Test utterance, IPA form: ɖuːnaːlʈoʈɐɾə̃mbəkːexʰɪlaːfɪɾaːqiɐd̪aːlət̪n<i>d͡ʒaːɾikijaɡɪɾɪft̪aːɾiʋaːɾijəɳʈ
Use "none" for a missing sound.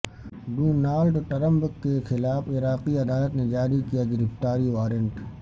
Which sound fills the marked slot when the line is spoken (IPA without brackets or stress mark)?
e